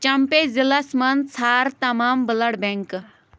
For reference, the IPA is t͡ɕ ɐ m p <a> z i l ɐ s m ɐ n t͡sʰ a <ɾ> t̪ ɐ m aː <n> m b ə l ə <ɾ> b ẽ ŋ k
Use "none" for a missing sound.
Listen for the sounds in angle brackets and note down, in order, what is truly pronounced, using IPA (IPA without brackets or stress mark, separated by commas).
e, ɾ, none, ɽ